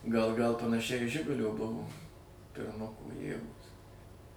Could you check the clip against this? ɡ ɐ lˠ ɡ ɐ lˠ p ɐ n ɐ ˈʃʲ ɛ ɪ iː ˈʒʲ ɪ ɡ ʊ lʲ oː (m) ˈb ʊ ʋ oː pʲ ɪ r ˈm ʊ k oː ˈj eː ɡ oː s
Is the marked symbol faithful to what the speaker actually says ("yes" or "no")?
no